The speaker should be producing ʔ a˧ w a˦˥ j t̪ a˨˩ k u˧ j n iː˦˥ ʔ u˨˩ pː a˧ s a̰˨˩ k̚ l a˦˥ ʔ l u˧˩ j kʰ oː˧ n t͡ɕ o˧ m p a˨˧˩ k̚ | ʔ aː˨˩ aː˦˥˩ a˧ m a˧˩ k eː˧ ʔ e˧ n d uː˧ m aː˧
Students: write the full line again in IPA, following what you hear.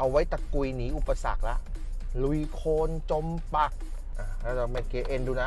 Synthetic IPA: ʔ a˧ w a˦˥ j t̪ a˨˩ k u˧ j n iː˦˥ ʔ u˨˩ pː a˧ s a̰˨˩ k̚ l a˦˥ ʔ l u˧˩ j kʰ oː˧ n t͡ɕ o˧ m p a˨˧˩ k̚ | ʔ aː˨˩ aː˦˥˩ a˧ m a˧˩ k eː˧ ʔ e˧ n d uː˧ n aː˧